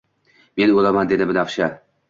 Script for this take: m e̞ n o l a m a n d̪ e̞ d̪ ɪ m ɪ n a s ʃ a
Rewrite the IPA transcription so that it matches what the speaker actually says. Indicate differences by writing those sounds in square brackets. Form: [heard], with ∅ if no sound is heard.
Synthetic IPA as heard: m e̞ n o l a m a n d̪ e̞ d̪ ɪ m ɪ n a [f] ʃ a